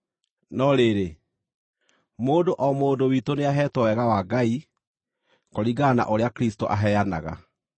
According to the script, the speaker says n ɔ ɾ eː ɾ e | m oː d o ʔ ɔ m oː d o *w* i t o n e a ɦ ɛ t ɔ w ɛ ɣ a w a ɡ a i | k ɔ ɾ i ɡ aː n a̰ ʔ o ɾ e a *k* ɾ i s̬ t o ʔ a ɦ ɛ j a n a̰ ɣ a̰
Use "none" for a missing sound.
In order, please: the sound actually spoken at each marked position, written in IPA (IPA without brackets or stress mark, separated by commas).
w, k